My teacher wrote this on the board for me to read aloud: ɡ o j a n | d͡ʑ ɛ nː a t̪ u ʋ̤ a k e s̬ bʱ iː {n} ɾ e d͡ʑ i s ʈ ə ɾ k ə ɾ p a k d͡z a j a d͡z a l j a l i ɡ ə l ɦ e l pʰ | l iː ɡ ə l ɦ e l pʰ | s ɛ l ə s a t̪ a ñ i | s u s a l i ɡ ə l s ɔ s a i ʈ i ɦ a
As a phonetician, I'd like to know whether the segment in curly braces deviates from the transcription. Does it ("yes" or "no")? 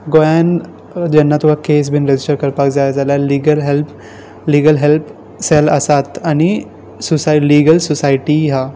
no